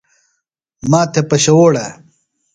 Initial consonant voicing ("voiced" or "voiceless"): voiced